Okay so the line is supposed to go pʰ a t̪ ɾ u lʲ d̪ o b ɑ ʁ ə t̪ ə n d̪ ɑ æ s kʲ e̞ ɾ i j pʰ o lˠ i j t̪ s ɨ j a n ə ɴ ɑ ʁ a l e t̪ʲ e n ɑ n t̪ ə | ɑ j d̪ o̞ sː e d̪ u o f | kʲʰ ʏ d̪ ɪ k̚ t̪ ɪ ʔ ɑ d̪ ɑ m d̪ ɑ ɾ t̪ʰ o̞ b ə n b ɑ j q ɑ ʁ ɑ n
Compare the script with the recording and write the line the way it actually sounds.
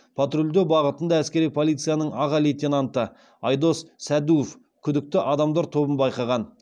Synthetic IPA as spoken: pʰ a t̪ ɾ u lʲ d̪ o b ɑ ʁ ə t̪ ə n d̪ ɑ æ s kʲ e̞ ɾ i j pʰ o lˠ i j t̪ s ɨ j a n ə ɴ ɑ ʁ ɑ l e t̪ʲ e n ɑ n t̪ ə | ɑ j d̪ o̞ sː æ d̪ u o f | kʲʰ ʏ d̪ ɪ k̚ t̪ ɪ ʔ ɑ d̪ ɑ m d̪ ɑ ɾ t̪ʰ o̞ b ə n b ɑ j q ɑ ʁ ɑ n